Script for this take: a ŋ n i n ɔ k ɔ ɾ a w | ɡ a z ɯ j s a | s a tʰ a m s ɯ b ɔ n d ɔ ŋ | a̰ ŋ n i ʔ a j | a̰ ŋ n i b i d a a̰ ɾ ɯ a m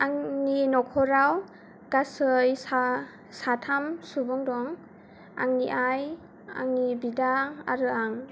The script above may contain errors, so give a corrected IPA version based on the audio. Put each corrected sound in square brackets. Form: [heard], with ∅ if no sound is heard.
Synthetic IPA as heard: a ŋ n i n ɔ [kʰ] ɔ ɾ a w | ɡ a [s] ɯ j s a | s a tʰ a m s [u] b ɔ [ŋ] d ɔ ŋ | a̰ ŋ n i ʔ a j | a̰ ŋ n i b i d a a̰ ɾ ɯ a [ŋ]